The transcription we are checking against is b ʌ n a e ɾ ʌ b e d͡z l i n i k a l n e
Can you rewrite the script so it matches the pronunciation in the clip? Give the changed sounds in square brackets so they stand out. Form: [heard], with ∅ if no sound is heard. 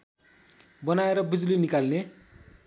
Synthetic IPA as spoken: b ʌ n a e ɾ ʌ b [i] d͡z l i n i k a l n e